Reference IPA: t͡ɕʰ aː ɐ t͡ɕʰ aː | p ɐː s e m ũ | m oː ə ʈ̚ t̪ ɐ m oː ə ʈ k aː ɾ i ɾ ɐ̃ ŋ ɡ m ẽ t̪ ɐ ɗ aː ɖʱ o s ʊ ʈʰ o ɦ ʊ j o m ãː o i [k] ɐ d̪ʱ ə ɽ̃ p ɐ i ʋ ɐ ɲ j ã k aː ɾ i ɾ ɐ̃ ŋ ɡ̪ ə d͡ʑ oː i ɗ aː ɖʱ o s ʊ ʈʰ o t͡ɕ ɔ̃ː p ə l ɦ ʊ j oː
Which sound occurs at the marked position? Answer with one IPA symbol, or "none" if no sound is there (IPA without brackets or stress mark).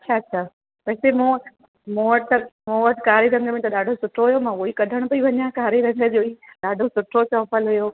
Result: k